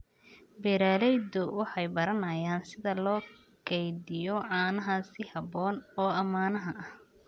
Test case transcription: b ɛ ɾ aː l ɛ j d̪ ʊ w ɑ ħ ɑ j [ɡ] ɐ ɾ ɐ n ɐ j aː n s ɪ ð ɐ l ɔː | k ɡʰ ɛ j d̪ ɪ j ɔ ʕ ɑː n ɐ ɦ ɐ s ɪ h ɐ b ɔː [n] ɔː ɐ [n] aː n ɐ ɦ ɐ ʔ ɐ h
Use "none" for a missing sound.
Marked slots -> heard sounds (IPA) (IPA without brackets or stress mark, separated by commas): b, n, m